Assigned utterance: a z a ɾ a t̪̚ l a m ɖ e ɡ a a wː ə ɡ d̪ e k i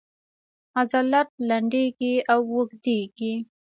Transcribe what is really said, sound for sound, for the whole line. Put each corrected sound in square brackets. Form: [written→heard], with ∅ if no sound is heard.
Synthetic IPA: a z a [ɾ→l] a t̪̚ l a [m→ɳ] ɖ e ɡ [a→i] a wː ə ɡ d̪ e [k→ɡ] i

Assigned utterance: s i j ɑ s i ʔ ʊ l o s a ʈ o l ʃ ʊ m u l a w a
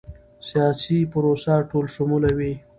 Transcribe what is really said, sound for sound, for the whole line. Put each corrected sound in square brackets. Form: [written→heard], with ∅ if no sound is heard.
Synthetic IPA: s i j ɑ s i [ʔ→p] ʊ [l→ɾ] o s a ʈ o l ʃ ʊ m u l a w [a→i]

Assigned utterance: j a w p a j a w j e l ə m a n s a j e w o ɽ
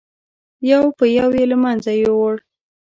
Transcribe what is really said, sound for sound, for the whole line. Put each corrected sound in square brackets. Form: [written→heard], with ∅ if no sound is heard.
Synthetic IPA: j a w p [a→ə] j a w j e l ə m a n [s→z] a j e w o ɽ

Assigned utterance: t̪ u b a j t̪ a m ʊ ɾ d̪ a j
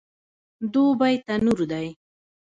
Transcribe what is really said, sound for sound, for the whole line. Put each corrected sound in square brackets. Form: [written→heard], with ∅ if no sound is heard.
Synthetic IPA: [t̪→d̪] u b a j t̪ a [m→n] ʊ ɾ d̪ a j

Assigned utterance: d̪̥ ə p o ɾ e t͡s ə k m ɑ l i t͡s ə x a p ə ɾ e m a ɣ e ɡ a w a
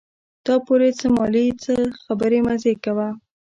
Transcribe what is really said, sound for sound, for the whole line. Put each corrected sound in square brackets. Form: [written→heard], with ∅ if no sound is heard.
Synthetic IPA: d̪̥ [ə→ɑ] p o ɾ e t͡s ə [k→∅] m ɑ l i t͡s ə x a [p→b] ə ɾ e m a [ɣ→z] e [ɡ→k] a w a

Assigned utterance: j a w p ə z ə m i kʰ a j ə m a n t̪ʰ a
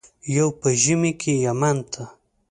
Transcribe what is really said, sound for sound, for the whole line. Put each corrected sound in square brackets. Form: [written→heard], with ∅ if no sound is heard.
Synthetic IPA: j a w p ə [z→ʒ] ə m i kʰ [a→e] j [ə→a] m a n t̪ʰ a

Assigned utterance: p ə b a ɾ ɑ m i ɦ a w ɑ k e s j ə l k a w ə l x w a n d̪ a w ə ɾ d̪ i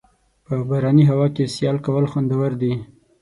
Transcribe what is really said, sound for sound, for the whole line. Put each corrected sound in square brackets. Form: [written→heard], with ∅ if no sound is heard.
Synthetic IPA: p ə b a ɾ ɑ [m→n] i ɦ a w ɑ k e s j [ə→ɑ] l k a w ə l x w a n d̪ a w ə ɾ d̪ i

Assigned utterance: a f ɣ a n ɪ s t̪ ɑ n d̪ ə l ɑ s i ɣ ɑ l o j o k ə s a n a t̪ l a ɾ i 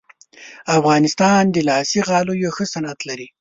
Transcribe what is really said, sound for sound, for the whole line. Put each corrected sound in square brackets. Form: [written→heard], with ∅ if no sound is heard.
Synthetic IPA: a f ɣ [a→ɑ] n ɪ s t̪ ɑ n d̪ ə l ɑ s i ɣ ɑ l o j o [k→x] ə s a n a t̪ l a ɾ i

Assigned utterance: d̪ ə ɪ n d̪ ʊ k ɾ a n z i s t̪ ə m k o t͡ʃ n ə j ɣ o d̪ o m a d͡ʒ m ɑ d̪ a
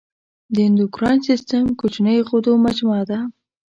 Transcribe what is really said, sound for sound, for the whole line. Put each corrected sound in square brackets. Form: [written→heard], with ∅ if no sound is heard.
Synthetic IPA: d̪ ə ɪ n d̪ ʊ k ɾ [a→ɑ] n [z→s] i s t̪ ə m k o t͡ʃ n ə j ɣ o d̪ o m a d͡ʒ m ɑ d̪ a

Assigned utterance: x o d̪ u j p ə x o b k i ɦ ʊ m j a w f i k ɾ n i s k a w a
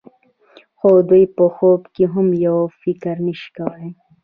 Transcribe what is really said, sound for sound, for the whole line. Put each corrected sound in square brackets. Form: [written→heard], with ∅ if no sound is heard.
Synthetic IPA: x o d̪ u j p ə x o b k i ɦ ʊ m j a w f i k ɾ n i [s→ʃ] k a w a

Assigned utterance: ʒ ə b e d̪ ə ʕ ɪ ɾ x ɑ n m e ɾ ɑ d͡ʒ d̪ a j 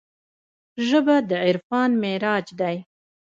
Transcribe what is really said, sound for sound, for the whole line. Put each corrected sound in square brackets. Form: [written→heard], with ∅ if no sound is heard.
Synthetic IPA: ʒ ə b [e→a] d̪ ə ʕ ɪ ɾ [x→f] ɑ n m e ɾ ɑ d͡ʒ d̪ a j

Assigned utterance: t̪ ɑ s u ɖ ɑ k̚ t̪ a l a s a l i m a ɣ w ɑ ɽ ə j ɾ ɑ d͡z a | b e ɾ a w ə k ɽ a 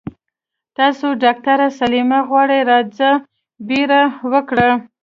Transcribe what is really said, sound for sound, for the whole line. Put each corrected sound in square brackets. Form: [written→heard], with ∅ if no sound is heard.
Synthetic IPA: t̪ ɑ s [u→o] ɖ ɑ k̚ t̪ a [l→ɾ] a s a l i m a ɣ w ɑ ɽ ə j ɾ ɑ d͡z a | b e ɾ a w ə k ɽ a

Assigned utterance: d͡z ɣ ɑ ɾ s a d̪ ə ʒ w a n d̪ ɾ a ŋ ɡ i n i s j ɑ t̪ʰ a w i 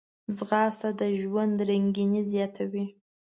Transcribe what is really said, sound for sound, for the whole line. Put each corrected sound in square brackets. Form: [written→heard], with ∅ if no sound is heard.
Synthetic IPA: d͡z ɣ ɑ [ɾ→∅] s a d̪ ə ʒ w a n d̪ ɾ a ŋ ɡ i n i [s→z] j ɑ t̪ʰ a w i

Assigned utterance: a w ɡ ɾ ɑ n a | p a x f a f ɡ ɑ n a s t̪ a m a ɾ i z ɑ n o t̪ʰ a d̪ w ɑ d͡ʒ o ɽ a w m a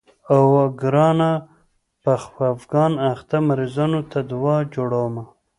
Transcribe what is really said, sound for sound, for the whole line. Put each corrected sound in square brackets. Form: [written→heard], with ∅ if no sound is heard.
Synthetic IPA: a w ɡ ɾ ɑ n a | p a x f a f ɡ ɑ n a [s→x] t̪ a m a ɾ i z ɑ n o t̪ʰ a d̪ w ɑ d͡ʒ o ɽ a w m a

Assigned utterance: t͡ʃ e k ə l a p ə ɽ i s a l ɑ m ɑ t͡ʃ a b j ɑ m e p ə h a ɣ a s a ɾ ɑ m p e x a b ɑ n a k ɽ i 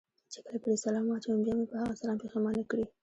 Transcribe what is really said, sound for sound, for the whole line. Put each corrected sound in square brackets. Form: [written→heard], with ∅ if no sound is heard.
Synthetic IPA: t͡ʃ e k ə l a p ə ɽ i s a l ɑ m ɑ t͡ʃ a b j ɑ m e p ə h a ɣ a s a [ɾ→l] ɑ m p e x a [b→m] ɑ n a k ɽ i

